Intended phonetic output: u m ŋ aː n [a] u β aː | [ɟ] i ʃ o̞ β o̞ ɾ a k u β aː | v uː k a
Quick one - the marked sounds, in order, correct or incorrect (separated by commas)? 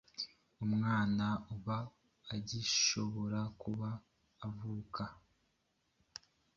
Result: correct, correct